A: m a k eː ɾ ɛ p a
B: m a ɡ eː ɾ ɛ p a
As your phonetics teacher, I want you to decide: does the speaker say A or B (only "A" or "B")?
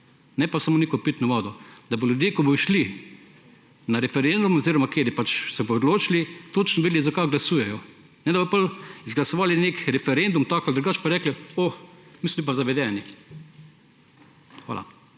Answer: A